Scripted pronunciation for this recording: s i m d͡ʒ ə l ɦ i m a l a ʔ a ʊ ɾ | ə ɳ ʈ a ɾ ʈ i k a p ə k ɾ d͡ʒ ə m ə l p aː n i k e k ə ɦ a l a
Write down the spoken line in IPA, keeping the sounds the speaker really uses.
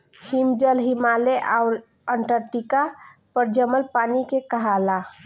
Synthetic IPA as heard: h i m d͡ʒ ə l ɦ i m a l e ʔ a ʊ ɾ | ə ɳ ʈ ə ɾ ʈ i k a p ə ɾ d͡ʒ ə m ə l p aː n i k e k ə ɦ a l a